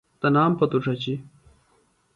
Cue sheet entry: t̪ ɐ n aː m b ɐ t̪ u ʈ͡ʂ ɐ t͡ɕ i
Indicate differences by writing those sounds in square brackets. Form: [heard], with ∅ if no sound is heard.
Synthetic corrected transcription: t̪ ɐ n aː m [p] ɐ t̪ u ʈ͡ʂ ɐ t͡ɕ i

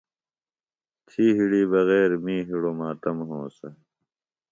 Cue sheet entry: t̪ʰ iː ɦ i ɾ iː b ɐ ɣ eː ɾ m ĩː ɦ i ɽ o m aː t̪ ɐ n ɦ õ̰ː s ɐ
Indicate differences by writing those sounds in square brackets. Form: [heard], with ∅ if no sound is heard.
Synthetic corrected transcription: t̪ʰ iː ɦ i [ɽ] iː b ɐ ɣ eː ɾ m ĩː ɦ i ɽ o m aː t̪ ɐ [m] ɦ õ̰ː s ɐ

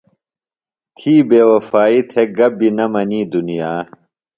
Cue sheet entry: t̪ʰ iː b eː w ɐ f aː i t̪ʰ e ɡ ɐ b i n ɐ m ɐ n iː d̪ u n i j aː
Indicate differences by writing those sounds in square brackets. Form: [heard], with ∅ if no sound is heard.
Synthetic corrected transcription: t̪ʰ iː b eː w ɐ f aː i t̪ʰ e ɡ ɐ b i n ɐ m ɐ n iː d̪ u n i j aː

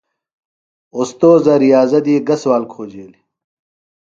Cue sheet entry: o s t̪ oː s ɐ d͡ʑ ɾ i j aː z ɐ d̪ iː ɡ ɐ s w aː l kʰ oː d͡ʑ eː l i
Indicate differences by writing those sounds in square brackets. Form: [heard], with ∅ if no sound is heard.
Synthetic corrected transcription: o s t̪ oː [z] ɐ [∅] ɾ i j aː z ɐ d̪ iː ɡ ɐ s w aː l kʰ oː d͡ʑ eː l i

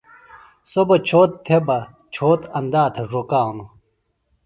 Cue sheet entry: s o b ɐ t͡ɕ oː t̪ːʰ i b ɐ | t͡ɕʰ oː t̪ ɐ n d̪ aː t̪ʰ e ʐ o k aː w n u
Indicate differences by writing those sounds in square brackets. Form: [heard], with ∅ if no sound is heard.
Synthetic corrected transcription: s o b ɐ [t͡ɕʰ] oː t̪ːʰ [e] b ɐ | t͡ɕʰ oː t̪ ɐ n d̪ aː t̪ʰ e ʐ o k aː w n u

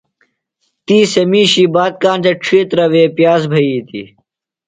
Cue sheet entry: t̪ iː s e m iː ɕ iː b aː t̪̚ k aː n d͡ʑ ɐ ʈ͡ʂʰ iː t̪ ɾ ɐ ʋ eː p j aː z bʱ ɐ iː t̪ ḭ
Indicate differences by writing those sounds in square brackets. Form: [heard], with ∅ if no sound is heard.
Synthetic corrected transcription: t̪ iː s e m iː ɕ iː b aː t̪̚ k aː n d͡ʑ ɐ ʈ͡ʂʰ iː t̪ ɾ ɐ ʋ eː p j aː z bʱ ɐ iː t̪ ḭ

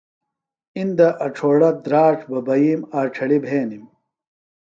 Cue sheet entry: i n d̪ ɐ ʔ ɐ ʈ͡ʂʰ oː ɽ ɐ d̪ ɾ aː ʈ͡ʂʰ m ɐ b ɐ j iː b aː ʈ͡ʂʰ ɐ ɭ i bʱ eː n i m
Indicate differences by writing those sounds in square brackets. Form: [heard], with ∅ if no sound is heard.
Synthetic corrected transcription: i n d̪ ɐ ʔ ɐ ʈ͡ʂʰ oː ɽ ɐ d̪ ɾ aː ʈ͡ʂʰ [b] ɐ b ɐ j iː [m] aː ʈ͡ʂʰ ɐ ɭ i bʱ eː n i m

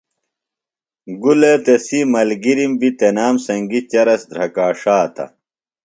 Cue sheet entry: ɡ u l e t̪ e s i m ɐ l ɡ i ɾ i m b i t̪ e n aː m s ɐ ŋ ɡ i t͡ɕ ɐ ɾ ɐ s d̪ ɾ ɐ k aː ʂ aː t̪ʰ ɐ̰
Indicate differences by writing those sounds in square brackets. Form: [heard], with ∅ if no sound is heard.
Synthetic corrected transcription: ɡ u l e t̪ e s i m ɐ l ɡ i ɾ i m b i t̪ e n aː m s ɐ ŋ ɡ i t͡ɕ ɐ ɾ ɐ s d̪ ɾ ɐ k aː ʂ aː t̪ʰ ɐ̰

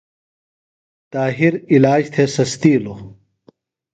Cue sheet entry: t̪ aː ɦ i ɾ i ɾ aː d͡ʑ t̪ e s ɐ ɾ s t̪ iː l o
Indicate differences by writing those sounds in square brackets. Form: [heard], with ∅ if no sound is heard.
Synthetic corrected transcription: t̪ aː ɦ i ɾ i [l] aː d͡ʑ [t̪ʰ] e s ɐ [∅] s t̪ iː l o

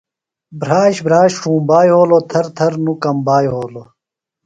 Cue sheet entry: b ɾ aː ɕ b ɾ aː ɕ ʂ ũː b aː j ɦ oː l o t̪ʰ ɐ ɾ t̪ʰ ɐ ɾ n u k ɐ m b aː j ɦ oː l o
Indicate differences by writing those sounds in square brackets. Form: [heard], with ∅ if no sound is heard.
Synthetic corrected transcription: b ɾ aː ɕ b ɾ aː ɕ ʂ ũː b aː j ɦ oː l o t̪ʰ ɐ ɾ t̪ʰ ɐ ɾ n u k ɐ m b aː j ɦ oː l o

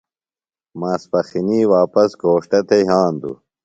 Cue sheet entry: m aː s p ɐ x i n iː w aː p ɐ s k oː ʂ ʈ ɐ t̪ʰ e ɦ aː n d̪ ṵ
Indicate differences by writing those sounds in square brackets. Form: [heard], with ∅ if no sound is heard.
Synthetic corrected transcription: m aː s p ɐ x i n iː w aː p ɐ s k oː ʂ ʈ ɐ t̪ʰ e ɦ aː n d̪ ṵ

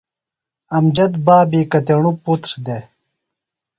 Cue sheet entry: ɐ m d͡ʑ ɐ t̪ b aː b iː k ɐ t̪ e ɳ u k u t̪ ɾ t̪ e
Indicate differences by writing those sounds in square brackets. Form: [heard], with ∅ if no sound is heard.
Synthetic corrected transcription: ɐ m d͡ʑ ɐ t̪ b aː b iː k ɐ t̪ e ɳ u [p] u t̪ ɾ [d̪] e

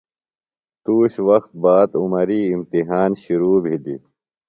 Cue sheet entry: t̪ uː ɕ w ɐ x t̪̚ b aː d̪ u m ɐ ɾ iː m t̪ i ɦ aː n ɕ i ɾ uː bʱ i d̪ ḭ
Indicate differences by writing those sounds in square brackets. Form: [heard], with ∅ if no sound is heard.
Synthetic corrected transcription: t̪ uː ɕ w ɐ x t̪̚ b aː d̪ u m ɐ ɾ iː m t̪ i ɦ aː n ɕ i ɾ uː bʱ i d̪ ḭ

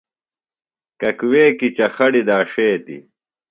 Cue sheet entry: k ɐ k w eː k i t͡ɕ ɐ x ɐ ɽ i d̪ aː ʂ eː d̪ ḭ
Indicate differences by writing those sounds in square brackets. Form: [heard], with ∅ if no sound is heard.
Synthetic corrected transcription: k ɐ k w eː k i t͡ɕ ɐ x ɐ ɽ i d̪ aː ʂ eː [t̪] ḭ

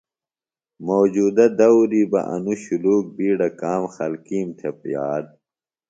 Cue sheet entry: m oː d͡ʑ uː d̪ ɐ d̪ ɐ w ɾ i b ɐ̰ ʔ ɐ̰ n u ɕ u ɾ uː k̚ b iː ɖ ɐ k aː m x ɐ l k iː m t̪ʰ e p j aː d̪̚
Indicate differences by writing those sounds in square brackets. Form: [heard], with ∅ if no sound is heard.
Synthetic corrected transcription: m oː d͡ʑ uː d̪ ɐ d̪ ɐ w ɾ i b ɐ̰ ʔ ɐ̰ n u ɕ u [l] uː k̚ b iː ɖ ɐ k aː m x ɐ l k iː m t̪ʰ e p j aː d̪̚

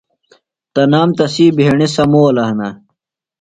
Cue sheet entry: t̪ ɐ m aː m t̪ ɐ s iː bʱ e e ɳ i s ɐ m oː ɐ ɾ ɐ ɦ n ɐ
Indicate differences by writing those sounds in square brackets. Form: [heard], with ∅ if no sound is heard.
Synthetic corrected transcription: t̪ ɐ [n] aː m t̪ ɐ s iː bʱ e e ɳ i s ɐ m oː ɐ [l] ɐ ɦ n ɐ

